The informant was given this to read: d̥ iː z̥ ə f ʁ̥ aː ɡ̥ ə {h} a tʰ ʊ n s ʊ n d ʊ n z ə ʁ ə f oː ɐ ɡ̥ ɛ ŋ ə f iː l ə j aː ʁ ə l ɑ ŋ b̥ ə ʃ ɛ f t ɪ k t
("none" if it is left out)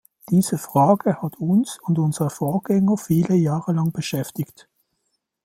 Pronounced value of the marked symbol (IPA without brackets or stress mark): h